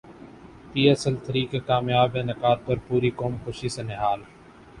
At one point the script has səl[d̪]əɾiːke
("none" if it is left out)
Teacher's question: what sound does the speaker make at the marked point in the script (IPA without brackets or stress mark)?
t̪